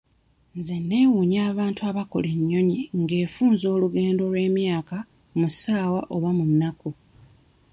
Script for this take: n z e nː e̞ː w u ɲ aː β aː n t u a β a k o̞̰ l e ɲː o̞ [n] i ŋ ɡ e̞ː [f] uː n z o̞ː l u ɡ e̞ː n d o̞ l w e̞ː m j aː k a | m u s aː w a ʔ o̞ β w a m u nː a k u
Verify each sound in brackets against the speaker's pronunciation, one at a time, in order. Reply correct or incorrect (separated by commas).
incorrect, correct